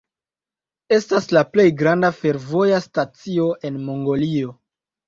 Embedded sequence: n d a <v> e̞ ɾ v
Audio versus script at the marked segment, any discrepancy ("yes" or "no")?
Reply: yes